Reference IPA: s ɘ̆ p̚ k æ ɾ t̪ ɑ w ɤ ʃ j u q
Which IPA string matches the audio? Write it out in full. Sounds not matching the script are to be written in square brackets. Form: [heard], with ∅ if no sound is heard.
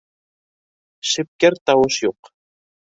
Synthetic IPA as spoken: [ʃ] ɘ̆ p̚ k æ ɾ t̪ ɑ w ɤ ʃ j u q